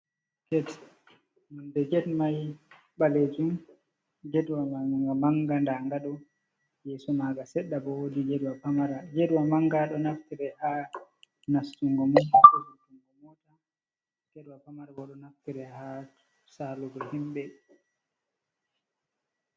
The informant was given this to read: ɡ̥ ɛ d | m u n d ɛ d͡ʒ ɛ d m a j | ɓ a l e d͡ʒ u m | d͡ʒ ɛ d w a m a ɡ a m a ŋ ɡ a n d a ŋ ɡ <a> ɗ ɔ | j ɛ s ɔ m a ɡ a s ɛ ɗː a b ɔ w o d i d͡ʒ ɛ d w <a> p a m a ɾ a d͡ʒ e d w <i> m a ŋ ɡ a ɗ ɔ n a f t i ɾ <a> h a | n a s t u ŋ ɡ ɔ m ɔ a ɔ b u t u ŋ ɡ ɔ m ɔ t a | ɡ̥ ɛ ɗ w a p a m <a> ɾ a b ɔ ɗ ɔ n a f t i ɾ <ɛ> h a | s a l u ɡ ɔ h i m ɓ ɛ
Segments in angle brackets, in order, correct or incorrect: correct, correct, incorrect: a, incorrect: ɛ, correct, correct

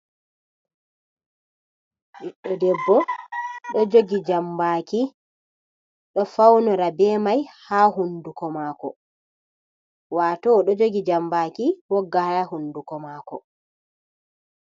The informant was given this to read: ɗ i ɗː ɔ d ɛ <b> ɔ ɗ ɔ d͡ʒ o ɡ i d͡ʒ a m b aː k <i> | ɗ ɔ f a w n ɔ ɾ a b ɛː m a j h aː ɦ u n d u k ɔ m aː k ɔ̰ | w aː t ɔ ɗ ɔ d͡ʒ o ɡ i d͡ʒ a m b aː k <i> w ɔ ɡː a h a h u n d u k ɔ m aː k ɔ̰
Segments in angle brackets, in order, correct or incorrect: incorrect: bː, correct, correct

